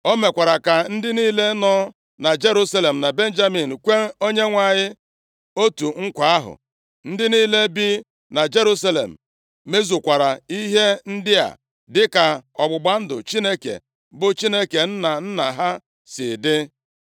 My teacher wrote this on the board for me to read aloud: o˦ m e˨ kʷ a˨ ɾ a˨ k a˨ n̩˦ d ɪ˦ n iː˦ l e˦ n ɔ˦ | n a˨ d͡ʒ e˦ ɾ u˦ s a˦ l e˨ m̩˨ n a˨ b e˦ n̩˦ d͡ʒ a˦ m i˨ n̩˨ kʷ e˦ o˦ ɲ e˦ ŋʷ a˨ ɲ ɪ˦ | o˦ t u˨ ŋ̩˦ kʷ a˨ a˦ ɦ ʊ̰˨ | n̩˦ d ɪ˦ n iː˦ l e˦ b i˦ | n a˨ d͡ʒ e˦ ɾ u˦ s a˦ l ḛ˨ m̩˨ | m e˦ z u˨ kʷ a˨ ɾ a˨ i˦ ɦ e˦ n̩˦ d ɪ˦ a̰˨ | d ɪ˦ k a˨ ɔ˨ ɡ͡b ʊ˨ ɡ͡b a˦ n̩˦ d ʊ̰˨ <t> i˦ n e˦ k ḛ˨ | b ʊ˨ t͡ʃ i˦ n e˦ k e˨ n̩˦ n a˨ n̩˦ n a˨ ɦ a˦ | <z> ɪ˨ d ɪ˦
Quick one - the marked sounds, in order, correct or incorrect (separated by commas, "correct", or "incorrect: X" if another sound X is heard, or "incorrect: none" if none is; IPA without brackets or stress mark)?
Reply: incorrect: t͡ʃ, incorrect: s